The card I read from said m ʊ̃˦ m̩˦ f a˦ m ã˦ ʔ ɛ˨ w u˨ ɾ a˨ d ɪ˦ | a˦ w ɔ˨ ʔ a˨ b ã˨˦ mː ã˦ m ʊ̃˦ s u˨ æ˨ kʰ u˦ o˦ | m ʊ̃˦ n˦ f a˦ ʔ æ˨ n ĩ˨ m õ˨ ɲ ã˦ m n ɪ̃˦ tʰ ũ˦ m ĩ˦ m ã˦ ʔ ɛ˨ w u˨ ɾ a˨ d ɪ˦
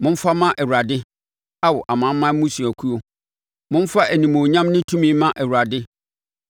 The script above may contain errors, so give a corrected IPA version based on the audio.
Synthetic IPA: m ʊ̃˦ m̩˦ f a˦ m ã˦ ʔ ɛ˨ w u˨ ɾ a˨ d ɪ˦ | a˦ w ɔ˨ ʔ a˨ m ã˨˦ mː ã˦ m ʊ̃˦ s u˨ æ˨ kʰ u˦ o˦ | m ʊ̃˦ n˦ f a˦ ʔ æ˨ n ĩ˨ m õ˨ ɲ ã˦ m n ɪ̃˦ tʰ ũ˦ m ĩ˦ m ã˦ ʔ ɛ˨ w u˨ ɾ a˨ d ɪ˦